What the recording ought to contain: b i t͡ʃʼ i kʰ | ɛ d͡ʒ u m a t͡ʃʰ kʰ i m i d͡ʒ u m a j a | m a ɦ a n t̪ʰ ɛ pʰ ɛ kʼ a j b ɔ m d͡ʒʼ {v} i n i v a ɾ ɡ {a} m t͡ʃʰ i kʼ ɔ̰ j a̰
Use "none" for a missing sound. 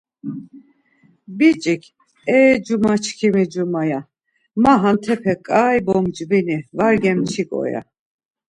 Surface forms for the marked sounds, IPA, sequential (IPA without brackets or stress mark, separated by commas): b, ɛ